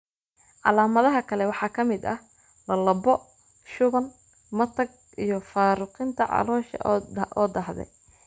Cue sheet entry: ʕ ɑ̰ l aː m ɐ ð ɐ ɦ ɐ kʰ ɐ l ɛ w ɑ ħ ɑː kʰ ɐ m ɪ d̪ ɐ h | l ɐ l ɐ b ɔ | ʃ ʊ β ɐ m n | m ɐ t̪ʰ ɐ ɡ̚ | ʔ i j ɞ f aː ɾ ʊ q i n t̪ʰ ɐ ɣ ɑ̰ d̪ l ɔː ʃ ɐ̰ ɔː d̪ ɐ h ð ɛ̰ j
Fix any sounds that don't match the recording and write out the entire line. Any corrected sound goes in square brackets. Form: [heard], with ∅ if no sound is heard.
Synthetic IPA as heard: ʕ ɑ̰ l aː m ɐ ð ɐ ɦ ɐ kʰ ɐ l ɛ w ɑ ħ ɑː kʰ ɐ m ɪ d̪ ɐ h | l ɐ l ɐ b ɔ | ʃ ʊ β ɐ [∅] n | m ɐ t̪ʰ ɐ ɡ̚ | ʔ i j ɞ f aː ɾ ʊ q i n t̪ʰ ɐ [ʕ] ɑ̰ [∅] l ɔː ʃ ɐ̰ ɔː d̪ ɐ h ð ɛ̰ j